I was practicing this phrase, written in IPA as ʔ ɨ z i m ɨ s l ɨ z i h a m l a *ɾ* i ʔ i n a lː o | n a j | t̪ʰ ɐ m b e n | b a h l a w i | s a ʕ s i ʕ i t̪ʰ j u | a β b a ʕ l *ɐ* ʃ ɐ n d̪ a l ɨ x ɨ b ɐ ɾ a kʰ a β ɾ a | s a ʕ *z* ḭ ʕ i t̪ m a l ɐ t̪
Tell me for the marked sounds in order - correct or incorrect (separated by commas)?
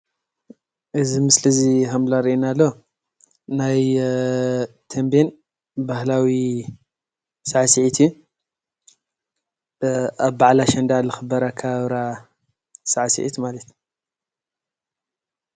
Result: correct, incorrect, incorrect